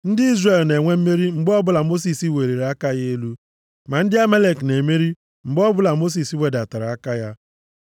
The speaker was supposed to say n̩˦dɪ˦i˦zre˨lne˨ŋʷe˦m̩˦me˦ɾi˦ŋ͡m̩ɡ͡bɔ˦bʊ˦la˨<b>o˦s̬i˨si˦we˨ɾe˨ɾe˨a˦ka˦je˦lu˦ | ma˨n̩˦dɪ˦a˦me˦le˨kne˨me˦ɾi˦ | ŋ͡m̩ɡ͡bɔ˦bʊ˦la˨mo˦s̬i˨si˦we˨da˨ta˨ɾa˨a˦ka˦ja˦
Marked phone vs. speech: incorrect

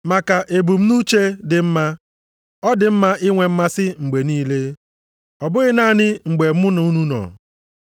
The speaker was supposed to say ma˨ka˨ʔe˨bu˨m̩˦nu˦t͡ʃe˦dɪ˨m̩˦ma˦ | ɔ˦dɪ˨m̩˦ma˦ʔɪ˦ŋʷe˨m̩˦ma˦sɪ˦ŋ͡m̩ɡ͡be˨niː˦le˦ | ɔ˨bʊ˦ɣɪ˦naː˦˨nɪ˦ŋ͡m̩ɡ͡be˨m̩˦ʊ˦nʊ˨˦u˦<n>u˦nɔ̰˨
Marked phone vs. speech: correct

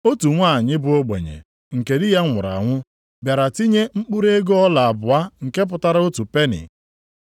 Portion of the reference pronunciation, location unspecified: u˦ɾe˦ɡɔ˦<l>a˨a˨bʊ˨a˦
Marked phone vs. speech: correct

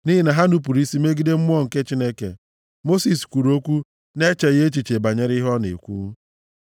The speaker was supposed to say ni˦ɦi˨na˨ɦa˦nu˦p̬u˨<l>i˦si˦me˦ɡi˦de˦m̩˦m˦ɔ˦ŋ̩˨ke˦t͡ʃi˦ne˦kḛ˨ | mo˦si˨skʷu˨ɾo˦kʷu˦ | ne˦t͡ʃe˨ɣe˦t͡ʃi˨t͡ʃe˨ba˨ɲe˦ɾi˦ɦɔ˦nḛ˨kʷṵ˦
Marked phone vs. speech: incorrect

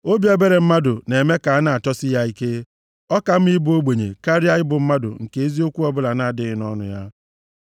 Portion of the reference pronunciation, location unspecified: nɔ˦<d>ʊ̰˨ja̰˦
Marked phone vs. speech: incorrect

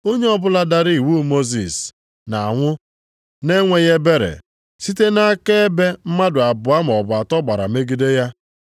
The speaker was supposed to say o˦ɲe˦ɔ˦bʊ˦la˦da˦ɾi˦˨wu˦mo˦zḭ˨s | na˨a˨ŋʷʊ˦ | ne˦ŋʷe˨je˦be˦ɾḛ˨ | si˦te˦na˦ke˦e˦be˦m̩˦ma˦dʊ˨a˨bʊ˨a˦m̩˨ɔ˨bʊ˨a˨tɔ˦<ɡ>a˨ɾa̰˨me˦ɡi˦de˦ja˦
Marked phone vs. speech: incorrect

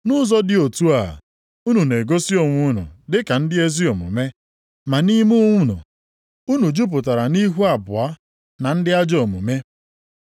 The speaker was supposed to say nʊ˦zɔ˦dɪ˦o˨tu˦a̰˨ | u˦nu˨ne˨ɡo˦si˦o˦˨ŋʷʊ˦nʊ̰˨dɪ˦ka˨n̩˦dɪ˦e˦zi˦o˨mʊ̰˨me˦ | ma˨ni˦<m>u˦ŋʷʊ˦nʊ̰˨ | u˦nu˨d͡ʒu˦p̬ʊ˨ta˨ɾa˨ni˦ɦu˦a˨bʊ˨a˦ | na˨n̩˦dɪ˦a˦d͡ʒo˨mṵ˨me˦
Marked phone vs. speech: correct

